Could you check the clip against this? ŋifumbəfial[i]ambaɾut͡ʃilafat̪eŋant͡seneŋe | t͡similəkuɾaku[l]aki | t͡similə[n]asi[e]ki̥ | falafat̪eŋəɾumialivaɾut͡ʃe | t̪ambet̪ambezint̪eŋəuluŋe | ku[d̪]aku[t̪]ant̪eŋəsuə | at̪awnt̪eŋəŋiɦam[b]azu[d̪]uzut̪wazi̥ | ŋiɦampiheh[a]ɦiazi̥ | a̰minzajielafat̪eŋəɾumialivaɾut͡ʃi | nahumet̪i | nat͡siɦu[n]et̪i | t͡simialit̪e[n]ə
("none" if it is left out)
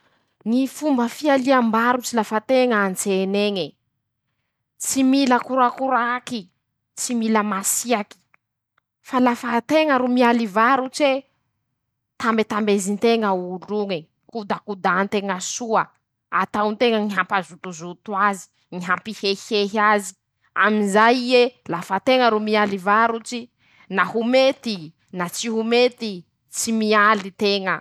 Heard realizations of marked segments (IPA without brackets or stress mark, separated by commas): i, ɾ, m, a, d̪, d̪, p, t̪, e, m, ŋ